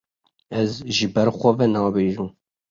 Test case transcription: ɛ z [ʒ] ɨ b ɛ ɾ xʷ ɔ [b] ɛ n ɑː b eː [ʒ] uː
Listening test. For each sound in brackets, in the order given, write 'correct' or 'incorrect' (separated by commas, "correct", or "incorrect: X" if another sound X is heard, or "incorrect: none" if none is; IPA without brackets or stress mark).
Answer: correct, incorrect: v, correct